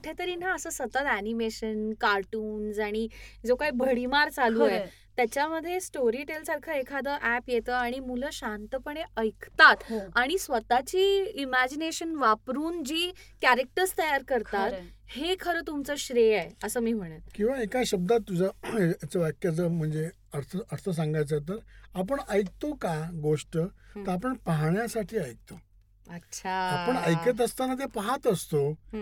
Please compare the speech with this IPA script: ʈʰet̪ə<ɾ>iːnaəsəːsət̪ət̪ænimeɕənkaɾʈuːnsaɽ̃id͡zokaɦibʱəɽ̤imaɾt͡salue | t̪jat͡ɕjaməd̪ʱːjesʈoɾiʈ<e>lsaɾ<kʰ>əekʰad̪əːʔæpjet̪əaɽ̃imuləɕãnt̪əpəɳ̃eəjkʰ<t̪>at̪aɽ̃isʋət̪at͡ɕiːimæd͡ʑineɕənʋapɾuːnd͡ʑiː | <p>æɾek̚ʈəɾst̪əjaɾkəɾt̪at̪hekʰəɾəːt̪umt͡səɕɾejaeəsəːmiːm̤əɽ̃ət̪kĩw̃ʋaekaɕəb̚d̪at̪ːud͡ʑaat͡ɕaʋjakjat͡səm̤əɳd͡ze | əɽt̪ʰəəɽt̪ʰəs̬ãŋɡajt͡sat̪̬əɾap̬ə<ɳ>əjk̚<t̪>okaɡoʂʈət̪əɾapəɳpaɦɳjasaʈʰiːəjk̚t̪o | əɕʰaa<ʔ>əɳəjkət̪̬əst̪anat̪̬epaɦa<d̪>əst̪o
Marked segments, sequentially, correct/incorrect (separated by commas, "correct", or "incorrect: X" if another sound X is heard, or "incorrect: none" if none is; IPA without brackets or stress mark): correct, correct, correct, correct, incorrect: k, correct, correct, incorrect: p, incorrect: t̪